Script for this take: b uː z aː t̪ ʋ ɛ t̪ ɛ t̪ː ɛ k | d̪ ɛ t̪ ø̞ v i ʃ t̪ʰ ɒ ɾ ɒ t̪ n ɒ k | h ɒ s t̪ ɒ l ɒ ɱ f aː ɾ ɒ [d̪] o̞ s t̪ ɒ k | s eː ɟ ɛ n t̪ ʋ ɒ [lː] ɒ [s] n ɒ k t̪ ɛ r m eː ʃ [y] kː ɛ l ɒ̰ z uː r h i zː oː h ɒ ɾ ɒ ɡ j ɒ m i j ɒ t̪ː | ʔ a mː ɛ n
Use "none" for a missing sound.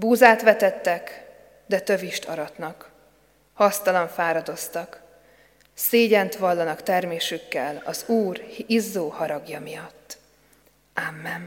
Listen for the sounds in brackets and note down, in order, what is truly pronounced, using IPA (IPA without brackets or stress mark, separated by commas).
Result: d̪, lː, none, y